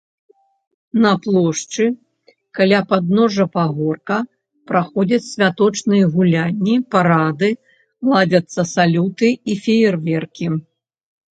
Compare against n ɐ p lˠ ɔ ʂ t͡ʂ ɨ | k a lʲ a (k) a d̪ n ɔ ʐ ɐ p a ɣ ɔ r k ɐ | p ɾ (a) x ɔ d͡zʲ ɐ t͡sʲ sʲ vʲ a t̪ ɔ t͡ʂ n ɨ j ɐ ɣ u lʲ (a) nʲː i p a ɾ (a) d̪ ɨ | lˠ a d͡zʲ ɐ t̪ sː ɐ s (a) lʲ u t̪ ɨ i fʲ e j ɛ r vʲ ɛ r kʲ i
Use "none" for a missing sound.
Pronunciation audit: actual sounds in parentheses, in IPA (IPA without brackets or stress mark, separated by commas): p, a, a, a, a